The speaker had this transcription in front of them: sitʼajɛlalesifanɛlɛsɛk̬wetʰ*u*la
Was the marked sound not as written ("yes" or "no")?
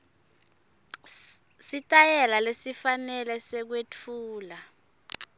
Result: yes